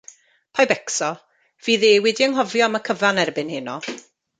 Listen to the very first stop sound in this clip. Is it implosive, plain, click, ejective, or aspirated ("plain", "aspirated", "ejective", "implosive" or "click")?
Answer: aspirated